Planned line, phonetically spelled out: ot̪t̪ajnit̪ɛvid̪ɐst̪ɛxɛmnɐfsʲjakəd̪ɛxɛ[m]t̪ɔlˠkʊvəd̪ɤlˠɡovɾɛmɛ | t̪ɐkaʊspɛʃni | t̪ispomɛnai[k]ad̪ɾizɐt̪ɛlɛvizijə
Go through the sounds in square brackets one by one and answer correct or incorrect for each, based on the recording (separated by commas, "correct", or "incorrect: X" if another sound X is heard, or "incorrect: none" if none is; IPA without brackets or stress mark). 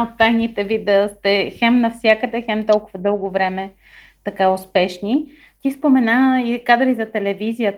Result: correct, correct